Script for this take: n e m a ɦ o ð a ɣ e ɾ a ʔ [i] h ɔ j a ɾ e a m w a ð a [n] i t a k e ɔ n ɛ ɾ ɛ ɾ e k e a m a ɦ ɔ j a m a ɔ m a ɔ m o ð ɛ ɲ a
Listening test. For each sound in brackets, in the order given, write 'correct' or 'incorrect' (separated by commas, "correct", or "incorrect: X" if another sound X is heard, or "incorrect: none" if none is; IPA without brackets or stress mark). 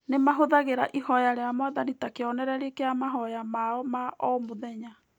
correct, correct